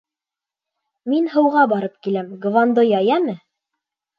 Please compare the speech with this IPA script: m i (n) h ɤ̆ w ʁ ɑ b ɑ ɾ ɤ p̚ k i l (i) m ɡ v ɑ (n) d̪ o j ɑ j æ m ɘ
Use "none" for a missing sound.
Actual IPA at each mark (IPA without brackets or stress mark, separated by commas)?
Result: n, æ, n